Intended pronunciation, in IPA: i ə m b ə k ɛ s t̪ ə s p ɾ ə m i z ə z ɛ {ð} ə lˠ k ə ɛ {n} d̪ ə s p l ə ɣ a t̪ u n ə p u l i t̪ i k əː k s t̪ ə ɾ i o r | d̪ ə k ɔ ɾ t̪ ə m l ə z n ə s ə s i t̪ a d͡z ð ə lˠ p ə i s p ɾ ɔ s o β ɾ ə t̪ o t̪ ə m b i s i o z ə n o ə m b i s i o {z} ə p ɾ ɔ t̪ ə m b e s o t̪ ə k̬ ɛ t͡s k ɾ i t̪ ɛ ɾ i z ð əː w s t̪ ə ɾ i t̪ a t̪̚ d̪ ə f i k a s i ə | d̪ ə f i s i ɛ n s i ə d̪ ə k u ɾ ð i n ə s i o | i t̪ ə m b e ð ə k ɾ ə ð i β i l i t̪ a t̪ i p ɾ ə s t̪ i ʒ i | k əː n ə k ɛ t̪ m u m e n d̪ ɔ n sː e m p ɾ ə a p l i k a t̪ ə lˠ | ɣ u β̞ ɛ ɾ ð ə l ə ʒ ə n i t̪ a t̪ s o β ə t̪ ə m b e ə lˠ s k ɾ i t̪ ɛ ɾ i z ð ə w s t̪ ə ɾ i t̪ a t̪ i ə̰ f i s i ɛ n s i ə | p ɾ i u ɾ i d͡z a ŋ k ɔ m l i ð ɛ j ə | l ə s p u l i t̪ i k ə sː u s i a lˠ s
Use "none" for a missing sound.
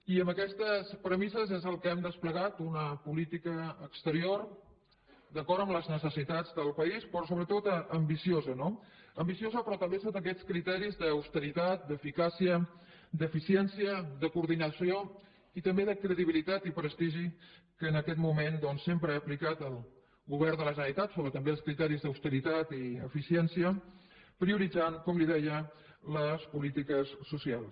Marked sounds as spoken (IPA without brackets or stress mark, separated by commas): z, m, z